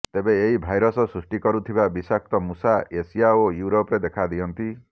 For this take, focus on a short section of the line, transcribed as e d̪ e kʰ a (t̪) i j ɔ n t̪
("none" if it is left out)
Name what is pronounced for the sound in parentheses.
d̪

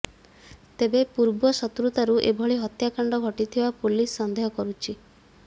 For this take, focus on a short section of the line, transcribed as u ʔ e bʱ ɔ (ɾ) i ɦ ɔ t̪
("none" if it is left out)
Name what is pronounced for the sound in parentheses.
ɭ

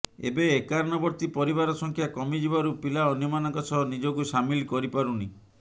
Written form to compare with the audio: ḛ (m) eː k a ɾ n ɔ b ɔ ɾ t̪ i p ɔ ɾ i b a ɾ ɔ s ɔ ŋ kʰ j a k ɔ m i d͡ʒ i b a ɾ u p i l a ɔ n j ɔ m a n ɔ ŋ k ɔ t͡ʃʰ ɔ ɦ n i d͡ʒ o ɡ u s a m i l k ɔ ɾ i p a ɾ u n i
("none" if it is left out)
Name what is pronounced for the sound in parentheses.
b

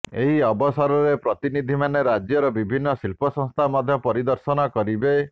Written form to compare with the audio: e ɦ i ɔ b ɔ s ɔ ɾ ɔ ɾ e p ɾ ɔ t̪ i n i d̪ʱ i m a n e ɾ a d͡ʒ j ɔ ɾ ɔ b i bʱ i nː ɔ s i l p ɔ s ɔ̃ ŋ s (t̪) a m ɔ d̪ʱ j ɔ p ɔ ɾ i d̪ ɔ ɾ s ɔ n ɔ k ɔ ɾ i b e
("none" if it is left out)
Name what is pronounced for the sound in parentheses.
t̪ʰ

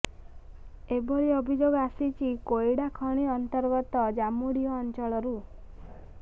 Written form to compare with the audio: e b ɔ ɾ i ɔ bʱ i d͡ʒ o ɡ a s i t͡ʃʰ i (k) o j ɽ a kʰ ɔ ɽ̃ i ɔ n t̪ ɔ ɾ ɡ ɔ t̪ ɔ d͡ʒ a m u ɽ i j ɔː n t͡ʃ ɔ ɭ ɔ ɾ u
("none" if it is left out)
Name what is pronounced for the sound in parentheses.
k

